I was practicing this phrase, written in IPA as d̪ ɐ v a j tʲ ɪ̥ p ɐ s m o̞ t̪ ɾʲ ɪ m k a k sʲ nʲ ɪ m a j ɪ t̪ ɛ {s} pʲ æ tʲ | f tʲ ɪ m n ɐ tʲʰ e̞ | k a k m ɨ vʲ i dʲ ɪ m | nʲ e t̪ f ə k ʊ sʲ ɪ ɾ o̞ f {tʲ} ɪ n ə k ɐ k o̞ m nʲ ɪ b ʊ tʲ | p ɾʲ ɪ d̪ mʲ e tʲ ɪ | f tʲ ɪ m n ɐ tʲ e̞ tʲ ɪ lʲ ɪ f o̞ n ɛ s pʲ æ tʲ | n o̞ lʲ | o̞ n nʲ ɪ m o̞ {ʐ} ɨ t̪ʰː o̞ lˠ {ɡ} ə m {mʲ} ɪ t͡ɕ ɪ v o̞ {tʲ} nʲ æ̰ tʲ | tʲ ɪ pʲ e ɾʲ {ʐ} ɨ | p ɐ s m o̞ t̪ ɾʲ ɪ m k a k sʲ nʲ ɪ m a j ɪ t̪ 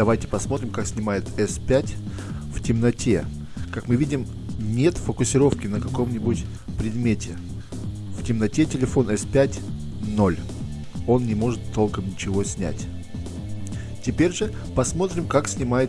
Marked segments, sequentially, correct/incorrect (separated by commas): correct, incorrect, correct, incorrect, incorrect, incorrect, correct